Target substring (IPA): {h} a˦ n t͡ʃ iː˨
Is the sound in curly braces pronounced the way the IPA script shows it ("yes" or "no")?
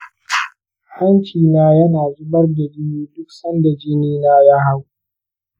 yes